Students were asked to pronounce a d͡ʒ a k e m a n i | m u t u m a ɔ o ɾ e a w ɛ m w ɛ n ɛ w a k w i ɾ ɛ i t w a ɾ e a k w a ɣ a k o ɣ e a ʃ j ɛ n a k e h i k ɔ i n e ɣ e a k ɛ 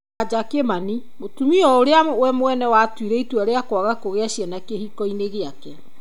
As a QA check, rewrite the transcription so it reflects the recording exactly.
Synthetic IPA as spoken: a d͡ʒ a k e m a n i | m o t u m i ɔ o ɾ e a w ɛ m w ɛ n ɛ w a t w i ɾ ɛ i t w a ɾ e a k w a ɣ a k o ɣ e a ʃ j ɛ n a k e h i k ɔ i n e ɣ e a k ɛ